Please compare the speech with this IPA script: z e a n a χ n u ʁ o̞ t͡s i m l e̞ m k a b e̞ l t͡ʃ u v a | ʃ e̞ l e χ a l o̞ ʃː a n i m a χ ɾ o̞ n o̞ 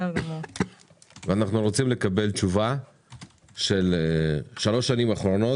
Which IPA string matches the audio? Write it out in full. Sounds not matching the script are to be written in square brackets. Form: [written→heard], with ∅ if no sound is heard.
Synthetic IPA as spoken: [z→v] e a n a χ n u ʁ o̞ t͡s i m l e̞ [m→∅] k a b e̞ l t͡ʃ u v a | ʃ e̞ l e [χ→ʃ] a l o̞ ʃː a n i m a χ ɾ o̞ n o̞